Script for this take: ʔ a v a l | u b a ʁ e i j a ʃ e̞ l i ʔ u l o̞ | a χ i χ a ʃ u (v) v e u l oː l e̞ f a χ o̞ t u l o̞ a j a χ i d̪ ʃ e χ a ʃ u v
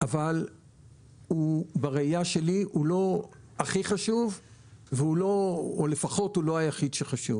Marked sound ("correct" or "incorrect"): correct